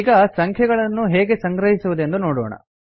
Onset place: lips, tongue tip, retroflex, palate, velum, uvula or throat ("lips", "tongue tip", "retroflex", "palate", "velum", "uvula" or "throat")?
velum